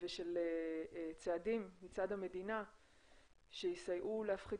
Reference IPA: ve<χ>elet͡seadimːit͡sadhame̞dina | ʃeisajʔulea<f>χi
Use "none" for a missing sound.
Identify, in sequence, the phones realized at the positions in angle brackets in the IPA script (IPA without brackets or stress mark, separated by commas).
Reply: ʃ, f